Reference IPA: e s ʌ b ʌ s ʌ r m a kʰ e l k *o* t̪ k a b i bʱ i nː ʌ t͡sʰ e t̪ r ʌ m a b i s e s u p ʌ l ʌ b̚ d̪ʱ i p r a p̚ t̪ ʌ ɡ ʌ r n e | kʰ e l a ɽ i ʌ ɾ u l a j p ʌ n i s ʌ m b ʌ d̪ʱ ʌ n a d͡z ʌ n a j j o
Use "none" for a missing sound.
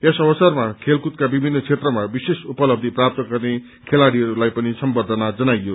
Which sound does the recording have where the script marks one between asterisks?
u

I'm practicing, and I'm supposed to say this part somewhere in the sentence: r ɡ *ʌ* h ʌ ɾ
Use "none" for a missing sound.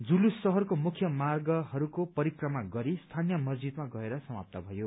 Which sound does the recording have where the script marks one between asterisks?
ʌ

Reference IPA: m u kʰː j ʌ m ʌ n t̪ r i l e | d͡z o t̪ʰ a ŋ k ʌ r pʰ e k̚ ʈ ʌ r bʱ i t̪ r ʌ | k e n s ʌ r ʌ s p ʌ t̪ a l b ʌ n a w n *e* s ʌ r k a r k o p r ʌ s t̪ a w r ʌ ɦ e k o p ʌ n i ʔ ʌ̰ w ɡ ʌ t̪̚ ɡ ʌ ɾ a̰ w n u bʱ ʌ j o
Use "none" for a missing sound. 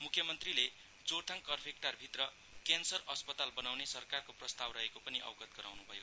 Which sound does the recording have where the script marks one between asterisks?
e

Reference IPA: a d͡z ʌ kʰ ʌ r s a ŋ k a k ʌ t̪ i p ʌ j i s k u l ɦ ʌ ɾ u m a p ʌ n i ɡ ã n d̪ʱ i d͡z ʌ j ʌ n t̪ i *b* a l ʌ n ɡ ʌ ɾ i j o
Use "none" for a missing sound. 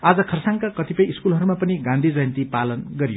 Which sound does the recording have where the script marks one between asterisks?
p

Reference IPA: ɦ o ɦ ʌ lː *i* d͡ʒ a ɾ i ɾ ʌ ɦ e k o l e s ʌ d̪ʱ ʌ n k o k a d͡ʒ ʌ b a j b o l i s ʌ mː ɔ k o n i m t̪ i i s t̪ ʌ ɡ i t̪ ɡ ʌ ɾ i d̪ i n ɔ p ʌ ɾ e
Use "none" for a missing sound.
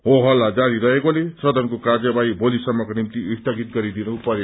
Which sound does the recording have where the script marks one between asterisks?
a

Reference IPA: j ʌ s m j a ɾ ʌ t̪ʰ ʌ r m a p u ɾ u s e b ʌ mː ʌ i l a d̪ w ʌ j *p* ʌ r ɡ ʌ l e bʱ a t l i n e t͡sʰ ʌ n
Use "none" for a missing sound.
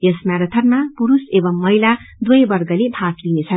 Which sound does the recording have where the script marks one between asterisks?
b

